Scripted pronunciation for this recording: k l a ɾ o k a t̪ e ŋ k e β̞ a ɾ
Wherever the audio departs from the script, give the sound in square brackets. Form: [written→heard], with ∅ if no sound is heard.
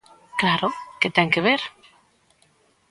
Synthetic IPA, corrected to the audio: k l a ɾ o k [a→e] t̪ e ŋ k e β̞ [a→e] ɾ